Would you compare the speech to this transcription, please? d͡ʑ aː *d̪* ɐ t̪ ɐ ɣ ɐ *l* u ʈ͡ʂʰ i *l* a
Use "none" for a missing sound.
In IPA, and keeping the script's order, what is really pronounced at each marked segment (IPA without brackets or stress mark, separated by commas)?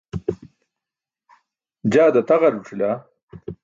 d̪, ɾ, l